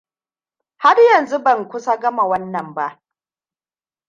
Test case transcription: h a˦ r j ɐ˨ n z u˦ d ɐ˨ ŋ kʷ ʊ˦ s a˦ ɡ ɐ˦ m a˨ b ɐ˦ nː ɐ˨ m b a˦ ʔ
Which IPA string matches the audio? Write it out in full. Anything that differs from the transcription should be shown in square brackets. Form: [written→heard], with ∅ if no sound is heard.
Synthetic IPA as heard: h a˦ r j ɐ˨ n z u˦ [d→b] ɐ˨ ŋ kʷ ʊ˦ s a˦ ɡ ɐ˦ m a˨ [b→w] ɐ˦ nː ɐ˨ m b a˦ ʔ